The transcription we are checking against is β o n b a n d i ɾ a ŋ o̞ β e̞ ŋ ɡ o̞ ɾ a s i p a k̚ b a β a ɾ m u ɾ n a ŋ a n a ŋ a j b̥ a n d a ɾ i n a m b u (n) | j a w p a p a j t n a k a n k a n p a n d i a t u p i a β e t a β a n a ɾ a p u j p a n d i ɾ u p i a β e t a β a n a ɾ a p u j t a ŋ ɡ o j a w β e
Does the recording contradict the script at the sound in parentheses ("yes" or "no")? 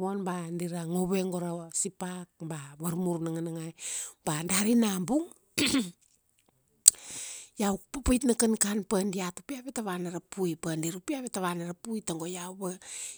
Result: yes